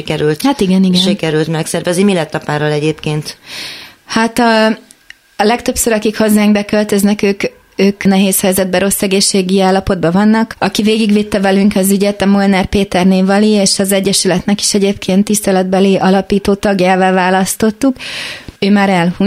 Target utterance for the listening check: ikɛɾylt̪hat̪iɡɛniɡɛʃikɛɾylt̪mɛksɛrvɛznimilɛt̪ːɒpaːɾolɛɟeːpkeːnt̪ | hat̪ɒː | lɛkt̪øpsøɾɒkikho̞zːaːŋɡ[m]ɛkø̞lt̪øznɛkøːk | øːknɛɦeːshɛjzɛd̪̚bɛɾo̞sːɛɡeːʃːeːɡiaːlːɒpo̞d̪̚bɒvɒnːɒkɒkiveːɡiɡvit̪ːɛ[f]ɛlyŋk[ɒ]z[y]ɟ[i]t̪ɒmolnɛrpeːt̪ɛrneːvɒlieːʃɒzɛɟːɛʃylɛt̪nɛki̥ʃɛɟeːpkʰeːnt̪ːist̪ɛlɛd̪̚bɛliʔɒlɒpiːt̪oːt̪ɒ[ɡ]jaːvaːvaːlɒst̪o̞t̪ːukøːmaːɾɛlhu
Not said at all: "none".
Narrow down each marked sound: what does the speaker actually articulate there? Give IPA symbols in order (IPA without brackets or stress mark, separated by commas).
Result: b, v, ɒ, y, ɛ, ɡ